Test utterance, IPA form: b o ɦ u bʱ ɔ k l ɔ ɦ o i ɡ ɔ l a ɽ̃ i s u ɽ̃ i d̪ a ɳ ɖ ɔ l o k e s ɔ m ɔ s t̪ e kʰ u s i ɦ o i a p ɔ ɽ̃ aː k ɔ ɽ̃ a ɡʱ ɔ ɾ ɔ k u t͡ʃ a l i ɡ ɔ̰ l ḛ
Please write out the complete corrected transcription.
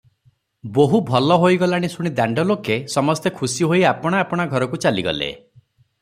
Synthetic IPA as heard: b o ɦ u bʱ ɔ l ɔ ɦ o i ɡ ɔ l a ɽ̃ i s u ɽ̃ i d̪ a ɳ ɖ ɔ l o k e s ɔ m ɔ s t̪ e kʰ u s i ɦ o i a p ɔ ɽ̃ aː p ɔ ɽ̃ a ɡʱ ɔ ɾ ɔ k u t͡ʃ a l i ɡ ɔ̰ l ḛ